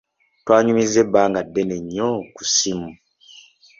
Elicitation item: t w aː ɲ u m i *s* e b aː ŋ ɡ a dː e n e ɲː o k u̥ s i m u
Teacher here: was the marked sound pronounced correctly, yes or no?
no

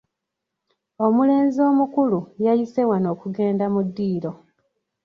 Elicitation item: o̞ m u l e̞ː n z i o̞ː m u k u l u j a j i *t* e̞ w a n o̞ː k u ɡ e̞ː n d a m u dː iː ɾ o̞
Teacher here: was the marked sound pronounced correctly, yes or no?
no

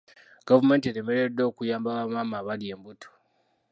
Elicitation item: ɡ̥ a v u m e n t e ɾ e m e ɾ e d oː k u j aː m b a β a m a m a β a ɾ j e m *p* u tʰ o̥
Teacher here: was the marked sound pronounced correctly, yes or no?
no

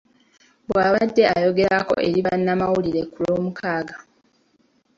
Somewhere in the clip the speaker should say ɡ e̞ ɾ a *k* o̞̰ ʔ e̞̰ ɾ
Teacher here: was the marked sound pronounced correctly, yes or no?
yes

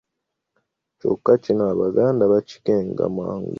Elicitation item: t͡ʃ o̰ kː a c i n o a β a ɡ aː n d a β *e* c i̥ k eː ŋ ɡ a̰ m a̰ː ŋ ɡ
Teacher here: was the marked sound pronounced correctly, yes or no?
no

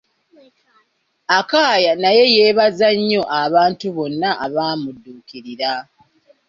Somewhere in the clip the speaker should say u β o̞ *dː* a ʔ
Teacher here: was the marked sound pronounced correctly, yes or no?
no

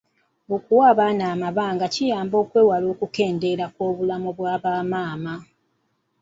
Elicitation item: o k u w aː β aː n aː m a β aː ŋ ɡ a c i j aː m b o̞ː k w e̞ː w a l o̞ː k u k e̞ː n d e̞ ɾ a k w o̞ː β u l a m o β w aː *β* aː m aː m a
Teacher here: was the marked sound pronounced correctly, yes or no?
yes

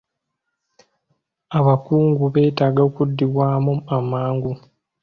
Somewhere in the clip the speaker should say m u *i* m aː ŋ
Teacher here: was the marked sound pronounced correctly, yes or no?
no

